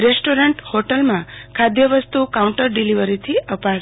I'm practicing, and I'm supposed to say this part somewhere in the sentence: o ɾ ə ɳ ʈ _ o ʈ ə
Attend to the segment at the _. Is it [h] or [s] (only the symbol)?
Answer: h